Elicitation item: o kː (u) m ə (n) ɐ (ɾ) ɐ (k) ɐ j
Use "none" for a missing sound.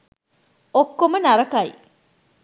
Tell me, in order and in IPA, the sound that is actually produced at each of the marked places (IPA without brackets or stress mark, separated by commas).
o, n, ɾ, k